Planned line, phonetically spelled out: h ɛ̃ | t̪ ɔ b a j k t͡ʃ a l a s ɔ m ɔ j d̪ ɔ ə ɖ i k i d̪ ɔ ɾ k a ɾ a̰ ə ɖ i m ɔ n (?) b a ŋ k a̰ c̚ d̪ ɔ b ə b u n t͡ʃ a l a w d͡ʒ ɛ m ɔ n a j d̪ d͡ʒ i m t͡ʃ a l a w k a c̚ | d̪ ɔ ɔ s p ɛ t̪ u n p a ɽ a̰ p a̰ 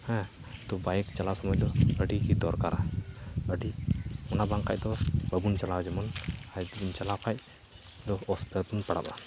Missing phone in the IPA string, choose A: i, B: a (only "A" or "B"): B